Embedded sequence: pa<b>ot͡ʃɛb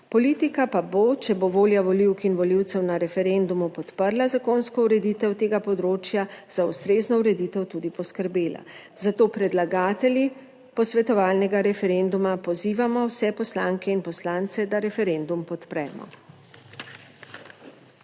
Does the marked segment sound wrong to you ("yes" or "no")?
no